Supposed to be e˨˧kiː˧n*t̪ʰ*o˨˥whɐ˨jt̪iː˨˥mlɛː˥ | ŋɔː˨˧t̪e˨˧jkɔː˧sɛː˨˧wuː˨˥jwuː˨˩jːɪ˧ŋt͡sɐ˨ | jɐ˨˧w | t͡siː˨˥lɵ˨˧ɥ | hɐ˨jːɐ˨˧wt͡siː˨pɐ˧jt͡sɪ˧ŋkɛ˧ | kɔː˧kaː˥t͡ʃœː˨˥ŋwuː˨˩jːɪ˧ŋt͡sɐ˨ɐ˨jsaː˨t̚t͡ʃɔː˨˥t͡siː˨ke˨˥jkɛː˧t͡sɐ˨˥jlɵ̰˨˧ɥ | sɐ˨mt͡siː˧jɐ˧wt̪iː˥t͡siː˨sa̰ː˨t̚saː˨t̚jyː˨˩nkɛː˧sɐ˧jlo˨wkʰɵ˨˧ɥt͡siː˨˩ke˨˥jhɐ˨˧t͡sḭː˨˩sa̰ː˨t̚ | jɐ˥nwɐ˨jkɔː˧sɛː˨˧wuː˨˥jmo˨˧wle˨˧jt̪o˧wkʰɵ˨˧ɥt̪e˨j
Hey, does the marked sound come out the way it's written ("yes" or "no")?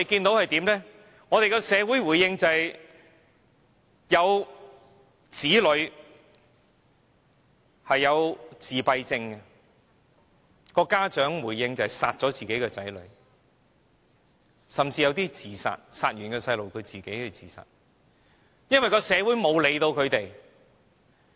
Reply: no